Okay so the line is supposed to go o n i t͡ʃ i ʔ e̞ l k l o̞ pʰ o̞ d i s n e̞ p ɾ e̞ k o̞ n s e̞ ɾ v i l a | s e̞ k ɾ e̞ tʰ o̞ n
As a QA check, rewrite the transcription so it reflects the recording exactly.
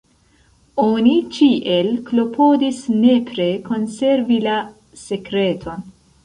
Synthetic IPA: o n i t͡ʃ i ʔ e̞ l k l o̞ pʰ o̞ d i s n e̞ p ɾ e̞ k o̞ n s e̞ ɾ v i l a | s e̞ k ɾ e̞ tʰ o̞ n